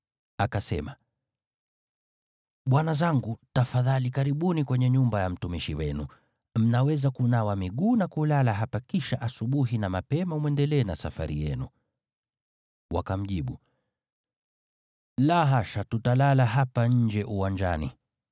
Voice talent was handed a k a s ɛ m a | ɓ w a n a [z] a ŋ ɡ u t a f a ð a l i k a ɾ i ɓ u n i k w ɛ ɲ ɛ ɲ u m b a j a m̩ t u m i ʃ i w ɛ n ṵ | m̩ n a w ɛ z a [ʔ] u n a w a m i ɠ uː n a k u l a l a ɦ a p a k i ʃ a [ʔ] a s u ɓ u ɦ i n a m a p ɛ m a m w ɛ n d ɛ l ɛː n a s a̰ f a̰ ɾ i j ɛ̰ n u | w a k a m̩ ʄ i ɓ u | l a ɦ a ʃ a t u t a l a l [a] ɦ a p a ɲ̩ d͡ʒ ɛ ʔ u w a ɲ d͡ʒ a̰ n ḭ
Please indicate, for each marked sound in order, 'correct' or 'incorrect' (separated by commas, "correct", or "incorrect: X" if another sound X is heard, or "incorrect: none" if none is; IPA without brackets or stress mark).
correct, incorrect: k, correct, correct